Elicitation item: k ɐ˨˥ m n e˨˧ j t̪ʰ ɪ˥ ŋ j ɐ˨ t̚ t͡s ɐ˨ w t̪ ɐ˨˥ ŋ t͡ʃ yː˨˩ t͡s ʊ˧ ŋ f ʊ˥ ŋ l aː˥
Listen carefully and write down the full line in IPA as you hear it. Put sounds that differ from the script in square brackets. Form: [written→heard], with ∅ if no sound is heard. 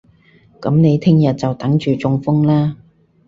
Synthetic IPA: k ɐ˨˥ m n e˨˧ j t̪ʰ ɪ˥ ŋ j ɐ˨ t̚ t͡s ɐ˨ w t̪ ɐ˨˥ ŋ t͡ʃ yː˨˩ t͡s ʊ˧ ŋ f ʊ˥ ŋ l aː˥